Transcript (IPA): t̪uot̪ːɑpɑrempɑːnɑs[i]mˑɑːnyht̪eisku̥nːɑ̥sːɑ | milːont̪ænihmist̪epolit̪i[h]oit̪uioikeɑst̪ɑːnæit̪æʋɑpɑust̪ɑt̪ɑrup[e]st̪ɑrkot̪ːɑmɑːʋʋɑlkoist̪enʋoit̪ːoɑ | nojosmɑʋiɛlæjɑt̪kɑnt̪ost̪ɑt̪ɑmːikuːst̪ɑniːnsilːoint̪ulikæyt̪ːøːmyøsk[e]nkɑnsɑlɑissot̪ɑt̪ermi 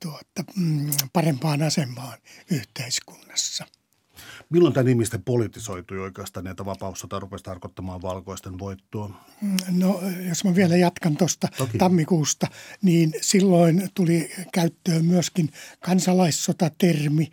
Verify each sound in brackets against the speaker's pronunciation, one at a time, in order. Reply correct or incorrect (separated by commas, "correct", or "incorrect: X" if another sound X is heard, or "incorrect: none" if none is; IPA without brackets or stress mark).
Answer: incorrect: e, incorrect: s, correct, incorrect: i